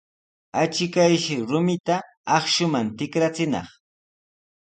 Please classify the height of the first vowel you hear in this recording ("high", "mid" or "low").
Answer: low